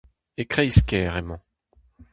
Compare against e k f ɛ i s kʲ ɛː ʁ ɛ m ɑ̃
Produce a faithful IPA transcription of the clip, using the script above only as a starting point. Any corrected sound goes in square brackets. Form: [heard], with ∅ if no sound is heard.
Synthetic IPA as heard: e k [χ] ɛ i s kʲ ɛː ʁ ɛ m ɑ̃